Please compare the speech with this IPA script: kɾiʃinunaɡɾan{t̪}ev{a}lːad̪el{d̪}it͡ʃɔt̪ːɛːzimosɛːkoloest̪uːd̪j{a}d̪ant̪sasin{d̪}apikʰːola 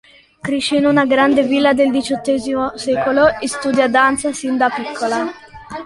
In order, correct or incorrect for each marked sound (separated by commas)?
incorrect, incorrect, correct, correct, correct